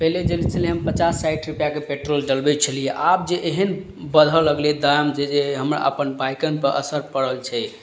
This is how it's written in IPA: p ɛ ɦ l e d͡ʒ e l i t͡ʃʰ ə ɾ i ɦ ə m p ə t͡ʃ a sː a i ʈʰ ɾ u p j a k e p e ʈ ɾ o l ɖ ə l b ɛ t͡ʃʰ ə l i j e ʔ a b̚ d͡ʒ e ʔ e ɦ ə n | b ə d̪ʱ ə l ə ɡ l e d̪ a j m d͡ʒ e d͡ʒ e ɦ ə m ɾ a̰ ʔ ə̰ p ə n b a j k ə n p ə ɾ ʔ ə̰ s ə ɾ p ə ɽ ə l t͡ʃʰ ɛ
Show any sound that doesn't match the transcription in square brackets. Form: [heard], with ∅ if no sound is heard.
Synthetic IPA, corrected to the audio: p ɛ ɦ l e d͡ʒ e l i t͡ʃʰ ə [l] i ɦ ə m p ə t͡ʃ a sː a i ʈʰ ɾ u p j a k e p e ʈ ɾ o l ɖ ə l b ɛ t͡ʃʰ ə l i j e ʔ a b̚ d͡ʒ e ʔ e ɦ ə n | b ə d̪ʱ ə l ə ɡ l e d̪ a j m d͡ʒ e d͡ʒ e ɦ ə m ɾ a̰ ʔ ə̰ p ə n b a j k ə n p ə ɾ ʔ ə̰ s ə ɾ p ə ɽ ə l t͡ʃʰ ɛ